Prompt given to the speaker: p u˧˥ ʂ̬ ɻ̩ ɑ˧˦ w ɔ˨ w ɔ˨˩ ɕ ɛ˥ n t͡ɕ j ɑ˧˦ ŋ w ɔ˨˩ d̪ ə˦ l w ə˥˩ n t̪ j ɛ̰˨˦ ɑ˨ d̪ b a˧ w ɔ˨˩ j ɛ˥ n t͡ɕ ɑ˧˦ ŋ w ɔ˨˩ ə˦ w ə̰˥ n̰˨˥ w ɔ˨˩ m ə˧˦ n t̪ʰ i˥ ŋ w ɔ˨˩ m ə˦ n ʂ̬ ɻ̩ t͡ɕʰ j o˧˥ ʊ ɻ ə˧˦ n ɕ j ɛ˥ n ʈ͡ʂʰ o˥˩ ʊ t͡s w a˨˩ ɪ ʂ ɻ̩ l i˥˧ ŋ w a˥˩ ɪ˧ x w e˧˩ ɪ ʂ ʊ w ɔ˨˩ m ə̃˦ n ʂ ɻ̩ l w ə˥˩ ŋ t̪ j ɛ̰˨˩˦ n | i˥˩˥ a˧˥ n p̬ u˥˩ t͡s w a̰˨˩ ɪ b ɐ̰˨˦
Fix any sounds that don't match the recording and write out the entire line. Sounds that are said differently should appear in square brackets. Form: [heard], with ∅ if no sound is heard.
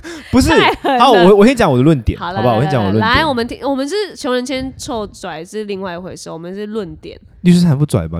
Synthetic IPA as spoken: p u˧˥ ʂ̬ ɻ̩ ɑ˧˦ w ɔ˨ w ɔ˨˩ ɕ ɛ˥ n t͡ɕ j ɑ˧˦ ŋ w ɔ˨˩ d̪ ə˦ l w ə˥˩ n t̪ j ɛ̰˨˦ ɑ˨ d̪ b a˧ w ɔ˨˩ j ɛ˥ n t͡ɕ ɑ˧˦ ŋ w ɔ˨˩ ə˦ w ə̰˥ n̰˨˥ w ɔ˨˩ m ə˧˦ n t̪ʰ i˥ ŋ w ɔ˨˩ m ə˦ n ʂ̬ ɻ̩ t͡ɕʰ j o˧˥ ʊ ɻ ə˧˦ n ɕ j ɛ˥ n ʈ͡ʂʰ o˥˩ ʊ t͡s w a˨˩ ɪ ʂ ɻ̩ l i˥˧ ŋ w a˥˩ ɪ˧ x w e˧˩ ɪ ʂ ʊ w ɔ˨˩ m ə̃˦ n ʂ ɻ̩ l w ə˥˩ [n] t̪ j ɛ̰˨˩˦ n | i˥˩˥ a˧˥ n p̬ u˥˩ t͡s w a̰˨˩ ɪ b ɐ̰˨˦